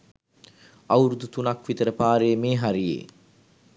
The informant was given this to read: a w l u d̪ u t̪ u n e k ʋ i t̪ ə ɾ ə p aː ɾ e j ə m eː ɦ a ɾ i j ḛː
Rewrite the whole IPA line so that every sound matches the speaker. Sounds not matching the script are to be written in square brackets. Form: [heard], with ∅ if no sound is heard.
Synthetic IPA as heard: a w [ɾ] u d̪ u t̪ u n [a] k ʋ i t̪ ə ɾ ə p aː ɾ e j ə m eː ɦ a ɾ i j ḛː